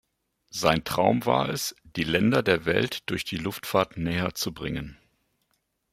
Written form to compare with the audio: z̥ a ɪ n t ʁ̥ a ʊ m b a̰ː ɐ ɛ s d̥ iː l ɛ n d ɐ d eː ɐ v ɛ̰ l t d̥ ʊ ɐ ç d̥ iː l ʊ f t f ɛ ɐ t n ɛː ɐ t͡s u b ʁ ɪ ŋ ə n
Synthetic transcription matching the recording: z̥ a ɪ n t ʁ̥ a ʊ m v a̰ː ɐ ɛ s d̥ iː l ɛ n d ɐ d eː ɐ v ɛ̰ l t d̥ ʊ ɐ ç d̥ iː l ʊ f t f a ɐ t n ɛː ɐ t͡s u b ʁ ɪ ŋ ə n